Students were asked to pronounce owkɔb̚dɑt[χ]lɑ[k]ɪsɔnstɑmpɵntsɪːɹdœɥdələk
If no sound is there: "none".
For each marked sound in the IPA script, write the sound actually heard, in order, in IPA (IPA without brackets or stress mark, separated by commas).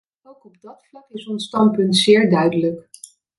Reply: f, k